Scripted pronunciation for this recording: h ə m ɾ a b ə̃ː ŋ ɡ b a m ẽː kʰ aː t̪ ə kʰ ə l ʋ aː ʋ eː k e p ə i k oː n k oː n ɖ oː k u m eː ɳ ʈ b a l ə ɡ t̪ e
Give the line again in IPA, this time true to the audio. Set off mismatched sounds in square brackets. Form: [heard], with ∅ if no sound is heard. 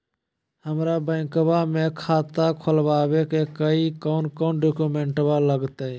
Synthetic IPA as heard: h ə m ɾ a b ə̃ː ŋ [k] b a m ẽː kʰ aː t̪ [a] kʰ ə l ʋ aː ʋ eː k e [k] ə i k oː n k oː n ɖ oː k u m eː ɳ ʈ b a l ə ɡ t̪ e